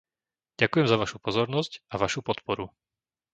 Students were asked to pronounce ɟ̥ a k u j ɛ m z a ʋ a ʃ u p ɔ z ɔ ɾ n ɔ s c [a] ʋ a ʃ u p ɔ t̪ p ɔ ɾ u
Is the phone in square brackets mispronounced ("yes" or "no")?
no